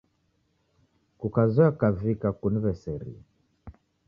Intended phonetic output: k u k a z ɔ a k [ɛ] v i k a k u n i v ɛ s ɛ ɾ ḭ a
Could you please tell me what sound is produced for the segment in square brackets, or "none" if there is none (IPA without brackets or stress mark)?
a